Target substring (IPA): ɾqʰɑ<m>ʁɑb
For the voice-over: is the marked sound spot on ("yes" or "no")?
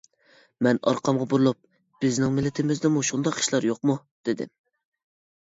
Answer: yes